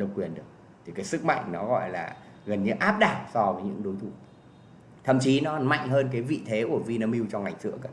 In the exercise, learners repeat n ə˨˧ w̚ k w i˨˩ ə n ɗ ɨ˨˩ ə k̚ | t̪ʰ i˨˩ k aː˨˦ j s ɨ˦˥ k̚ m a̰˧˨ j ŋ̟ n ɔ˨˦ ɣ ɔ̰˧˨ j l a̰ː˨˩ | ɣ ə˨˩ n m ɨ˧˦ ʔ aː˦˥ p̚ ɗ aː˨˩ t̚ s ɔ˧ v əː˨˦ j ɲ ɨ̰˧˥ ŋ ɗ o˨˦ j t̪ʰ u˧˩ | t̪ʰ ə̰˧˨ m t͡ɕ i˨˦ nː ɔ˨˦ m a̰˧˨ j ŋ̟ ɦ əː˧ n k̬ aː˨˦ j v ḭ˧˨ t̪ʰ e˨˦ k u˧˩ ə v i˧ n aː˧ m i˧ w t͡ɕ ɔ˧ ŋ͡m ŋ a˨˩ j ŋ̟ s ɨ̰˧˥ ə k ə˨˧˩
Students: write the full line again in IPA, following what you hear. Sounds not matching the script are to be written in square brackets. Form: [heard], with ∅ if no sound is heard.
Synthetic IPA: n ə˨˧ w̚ k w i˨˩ ə n ɗ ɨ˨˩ ə k̚ | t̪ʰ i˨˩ k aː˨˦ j s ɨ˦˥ k̚ m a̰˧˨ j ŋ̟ n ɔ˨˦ ɣ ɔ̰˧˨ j l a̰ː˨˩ | ɣ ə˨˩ n [ɲ] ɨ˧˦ ʔ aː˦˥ p̚ ɗ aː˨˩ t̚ s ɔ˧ v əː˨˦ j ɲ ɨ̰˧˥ ŋ ɗ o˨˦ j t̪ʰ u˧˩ | t̪ʰ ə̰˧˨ m t͡ɕ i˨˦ [n] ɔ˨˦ m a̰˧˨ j ŋ̟ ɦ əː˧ n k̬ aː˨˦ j v ḭ˧˨ t̪ʰ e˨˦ k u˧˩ ə v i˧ n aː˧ m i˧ w t͡ɕ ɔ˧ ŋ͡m ŋ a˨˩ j ŋ̟ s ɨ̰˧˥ ə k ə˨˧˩